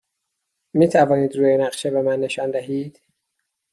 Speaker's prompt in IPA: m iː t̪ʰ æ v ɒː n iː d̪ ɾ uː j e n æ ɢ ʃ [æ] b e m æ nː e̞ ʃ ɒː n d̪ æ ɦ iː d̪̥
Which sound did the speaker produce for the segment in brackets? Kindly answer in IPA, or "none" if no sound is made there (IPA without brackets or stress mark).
e